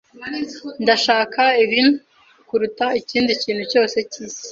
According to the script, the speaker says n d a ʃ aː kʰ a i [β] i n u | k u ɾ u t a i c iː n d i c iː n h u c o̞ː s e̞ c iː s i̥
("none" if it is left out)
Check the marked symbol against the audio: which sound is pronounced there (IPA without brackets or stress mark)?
β